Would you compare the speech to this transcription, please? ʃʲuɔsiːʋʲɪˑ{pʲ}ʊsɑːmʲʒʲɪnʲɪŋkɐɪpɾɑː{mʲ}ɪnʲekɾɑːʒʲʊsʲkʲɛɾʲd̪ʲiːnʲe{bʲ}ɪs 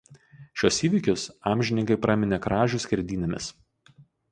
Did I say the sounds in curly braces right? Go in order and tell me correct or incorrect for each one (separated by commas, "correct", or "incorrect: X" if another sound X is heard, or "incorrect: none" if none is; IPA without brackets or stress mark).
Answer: incorrect: kʲ, correct, incorrect: mʲ